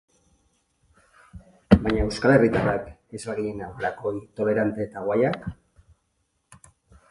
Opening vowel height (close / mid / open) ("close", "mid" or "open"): open